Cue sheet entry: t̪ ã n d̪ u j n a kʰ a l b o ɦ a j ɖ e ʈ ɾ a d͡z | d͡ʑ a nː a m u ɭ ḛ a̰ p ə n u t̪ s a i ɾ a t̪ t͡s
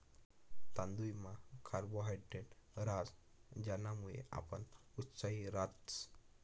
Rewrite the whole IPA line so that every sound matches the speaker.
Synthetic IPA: t̪ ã n d̪ u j m a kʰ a ɾ b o ɦ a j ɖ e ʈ ɾ a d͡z | d͡ʑ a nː a m u ɭ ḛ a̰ p ə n u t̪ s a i ɾ a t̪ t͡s

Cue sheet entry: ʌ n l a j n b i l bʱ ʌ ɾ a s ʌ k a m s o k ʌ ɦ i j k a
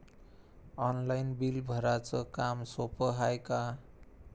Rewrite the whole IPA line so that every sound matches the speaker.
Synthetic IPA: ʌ n l a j n b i l bʱ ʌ ɾ a t͡s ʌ k a m s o p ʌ ɦ a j k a

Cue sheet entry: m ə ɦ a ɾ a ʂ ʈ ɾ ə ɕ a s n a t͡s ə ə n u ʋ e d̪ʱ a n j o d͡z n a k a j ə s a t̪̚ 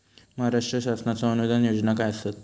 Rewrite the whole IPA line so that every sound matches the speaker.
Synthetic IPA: m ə ɦ a ɾ a ʂ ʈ ɾ ə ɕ a s n a t͡s a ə n u ʋ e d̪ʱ a n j o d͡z n a k a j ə s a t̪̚

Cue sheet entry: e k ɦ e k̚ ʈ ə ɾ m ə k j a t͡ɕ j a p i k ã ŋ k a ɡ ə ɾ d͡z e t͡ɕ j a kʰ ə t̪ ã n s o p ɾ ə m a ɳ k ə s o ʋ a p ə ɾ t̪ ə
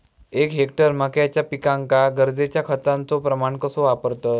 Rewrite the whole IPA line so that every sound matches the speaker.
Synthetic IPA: e k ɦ e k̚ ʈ ə ɾ m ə k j a t͡ɕ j a p i k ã ŋ k a ɡ ə ɾ d͡z e t͡ɕ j a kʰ ə t̪ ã n t͡s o p ɾ ə m a ɳ k ə s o ʋ a p ə ɾ t̪ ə

